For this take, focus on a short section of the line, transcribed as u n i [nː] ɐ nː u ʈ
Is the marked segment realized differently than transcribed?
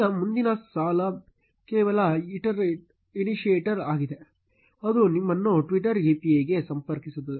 yes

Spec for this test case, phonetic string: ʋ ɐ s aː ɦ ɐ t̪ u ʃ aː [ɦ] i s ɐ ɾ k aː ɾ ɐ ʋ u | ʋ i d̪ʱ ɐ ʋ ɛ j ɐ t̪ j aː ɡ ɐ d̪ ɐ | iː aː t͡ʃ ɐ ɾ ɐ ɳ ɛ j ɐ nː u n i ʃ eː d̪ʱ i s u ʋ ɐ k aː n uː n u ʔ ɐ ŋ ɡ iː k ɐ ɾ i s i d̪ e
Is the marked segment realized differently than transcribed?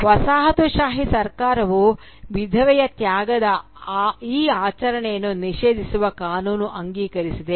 no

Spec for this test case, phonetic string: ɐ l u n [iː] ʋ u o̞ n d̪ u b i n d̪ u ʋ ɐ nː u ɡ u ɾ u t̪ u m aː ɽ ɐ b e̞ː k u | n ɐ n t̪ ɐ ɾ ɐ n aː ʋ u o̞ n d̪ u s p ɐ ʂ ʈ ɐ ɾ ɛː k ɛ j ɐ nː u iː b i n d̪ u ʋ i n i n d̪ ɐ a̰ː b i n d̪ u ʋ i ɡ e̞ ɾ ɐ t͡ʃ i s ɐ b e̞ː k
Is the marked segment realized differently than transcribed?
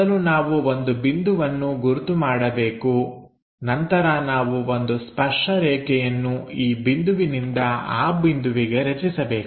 yes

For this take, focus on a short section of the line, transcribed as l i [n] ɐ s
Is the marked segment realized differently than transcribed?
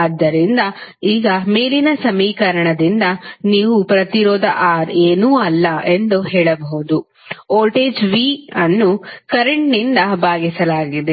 no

